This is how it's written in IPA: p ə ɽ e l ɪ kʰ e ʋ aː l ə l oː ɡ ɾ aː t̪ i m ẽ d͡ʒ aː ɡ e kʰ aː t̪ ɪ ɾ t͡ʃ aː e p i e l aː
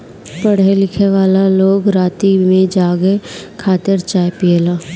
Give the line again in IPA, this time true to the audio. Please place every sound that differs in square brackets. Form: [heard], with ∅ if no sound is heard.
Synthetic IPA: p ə ɽ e l ɪ kʰ e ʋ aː l [a] l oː ɡ ɾ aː t̪ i m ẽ d͡ʒ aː ɡ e kʰ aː t̪ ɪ ɾ t͡ʃ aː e p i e l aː

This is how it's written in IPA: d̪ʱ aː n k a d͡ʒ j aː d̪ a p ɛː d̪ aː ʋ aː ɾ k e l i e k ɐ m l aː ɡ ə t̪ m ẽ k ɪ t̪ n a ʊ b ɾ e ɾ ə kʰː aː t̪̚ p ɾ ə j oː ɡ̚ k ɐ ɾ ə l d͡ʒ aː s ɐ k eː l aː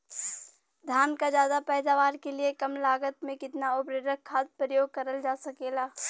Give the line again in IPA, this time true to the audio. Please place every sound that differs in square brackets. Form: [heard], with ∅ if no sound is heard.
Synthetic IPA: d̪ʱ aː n k a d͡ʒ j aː d̪ a p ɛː d̪ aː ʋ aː ɾ k e l i e k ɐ m l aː ɡ ə t̪ m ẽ k ɪ t̪ n a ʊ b ɾ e ɾ ə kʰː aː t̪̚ p ɾ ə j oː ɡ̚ k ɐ ɾ ə l d͡ʒ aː s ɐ k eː l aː

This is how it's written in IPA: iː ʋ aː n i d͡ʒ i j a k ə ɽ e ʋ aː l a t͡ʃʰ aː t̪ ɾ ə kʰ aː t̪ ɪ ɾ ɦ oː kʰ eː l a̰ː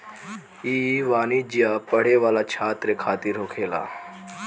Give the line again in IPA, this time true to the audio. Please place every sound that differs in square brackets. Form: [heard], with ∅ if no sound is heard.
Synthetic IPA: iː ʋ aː n i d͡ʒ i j a [p] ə ɽ e ʋ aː l a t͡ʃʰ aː t̪ ɾ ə kʰ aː t̪ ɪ ɾ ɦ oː kʰ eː l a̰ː

